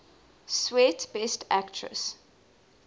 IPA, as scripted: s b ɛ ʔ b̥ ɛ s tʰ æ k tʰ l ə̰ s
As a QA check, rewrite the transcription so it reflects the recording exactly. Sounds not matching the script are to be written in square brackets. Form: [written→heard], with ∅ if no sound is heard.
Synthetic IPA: s [b→w] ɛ [ʔ→t] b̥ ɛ s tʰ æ k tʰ [l→ɹ] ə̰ s